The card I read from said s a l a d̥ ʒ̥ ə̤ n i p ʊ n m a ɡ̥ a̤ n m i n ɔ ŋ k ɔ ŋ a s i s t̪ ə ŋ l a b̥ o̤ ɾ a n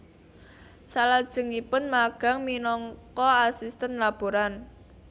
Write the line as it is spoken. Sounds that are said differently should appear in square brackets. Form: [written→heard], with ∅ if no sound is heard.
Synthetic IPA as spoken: s a l a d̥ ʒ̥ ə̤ [n→ŋ] i p ʊ n m a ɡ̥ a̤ [n→ŋ] m i n ɔ ŋ k ɔ [ŋ→∅] a s i s t̪ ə [ŋ→n] l a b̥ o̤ ɾ a n